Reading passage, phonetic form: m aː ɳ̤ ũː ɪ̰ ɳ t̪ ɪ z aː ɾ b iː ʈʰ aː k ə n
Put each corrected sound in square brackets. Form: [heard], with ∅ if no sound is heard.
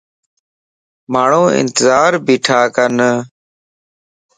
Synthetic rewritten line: m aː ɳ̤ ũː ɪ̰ [n] t̪ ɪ z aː ɾ b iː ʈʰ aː k ə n